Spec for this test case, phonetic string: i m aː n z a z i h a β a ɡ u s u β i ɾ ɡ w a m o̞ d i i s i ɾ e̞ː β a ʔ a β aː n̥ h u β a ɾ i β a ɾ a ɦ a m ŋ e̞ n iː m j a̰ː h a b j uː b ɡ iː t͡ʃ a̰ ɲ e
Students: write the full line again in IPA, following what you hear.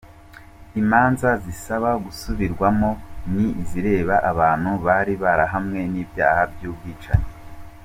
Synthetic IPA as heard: i m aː n z a z i s a β a ɡ u s u β i ɾ ɡ w a m o̞ n i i z i ɾ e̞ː β a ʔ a β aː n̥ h u β a ɾ i β a ɾ a ɦ a m ŋ e̞ n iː b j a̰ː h a b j uː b ɡ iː t͡ʃ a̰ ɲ e